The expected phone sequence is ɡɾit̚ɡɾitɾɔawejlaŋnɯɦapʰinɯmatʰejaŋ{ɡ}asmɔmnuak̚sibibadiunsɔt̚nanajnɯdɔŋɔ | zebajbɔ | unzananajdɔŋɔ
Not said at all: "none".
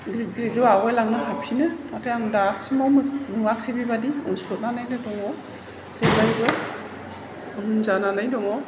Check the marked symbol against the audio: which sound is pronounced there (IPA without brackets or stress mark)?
d